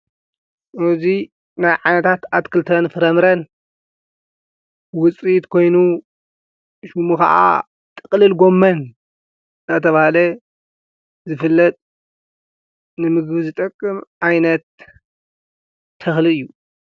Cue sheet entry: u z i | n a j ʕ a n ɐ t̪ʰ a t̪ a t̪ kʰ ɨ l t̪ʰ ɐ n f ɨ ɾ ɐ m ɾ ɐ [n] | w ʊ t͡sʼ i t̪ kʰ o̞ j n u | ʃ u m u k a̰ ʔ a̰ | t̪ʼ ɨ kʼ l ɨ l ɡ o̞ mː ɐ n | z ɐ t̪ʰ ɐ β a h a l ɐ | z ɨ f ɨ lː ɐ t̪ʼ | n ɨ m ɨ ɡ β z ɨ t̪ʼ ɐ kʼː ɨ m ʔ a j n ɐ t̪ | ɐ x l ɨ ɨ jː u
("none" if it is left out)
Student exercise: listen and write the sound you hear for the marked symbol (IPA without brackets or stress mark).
n